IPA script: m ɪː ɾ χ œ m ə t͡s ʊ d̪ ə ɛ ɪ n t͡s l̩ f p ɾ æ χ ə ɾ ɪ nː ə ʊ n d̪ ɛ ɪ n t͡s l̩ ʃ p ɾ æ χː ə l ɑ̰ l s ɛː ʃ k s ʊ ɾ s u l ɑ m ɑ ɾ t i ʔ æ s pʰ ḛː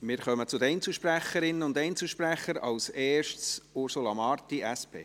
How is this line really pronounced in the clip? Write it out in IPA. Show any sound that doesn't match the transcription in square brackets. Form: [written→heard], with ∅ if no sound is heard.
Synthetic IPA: m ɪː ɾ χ œ m ə t͡s ʊ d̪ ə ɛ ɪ n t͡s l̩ [f→ʃ] p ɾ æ χ ə ɾ ɪ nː ə ʊ n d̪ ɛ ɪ n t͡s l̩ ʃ p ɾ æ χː ə [l→ɾ] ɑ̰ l s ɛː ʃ [k→t] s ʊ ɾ s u l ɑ m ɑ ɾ t i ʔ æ s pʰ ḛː